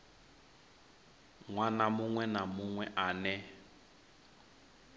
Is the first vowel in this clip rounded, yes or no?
no